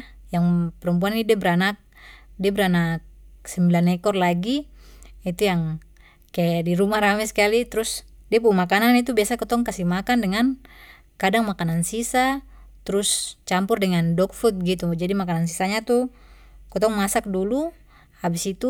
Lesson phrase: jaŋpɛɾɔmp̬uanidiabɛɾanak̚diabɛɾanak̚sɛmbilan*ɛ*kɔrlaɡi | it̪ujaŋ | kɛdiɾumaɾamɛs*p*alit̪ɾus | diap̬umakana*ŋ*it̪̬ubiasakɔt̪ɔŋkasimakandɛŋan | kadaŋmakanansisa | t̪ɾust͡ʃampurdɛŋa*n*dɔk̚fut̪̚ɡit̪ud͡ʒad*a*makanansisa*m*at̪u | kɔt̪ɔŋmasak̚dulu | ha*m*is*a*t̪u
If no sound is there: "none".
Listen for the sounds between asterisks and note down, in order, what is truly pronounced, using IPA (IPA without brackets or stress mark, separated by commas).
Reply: ɛ, k, n, n, i, ɲ, b, i